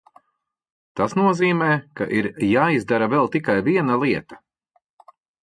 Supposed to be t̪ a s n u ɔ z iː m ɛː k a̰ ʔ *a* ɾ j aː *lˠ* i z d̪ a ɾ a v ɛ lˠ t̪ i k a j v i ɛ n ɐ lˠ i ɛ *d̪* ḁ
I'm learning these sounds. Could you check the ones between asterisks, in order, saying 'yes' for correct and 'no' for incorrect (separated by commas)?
no, no, no